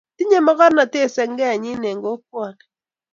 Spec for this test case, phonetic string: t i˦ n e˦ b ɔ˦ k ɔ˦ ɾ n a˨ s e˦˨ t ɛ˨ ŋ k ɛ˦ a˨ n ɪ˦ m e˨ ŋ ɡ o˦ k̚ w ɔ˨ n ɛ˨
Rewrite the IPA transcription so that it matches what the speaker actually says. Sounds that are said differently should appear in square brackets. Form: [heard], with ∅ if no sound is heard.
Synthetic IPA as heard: t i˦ [ɲ] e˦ [m] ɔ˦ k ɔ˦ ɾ n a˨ [t] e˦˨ [s] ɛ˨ ŋ [ɡ] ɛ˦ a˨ [ɲ] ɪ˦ [n] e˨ ŋ ɡ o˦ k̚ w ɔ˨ n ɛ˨

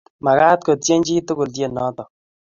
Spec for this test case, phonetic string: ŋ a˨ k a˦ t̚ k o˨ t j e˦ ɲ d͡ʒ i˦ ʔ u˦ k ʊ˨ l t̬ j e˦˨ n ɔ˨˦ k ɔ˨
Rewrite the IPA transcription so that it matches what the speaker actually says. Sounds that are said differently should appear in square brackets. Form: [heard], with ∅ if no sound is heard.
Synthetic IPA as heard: [m] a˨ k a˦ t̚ k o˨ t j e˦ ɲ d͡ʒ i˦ [t] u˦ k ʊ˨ l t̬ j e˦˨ n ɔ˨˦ [t] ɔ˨

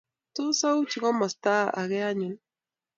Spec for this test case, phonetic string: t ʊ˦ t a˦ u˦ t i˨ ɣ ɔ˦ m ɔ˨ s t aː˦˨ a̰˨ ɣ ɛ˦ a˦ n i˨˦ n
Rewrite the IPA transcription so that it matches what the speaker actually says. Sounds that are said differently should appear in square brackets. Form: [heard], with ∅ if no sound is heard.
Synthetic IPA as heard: t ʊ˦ [s] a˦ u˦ [t͡ʃ] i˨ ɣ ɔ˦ m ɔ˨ s t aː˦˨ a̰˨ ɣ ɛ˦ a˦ [ɲ] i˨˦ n

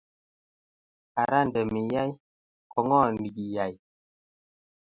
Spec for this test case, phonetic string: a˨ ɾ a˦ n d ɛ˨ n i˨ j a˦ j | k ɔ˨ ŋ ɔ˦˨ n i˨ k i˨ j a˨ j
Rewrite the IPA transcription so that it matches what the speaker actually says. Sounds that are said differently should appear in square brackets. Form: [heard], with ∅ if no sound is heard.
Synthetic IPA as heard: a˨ ɾ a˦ n d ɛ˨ [m] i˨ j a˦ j | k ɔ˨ ŋ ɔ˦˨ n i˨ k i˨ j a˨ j

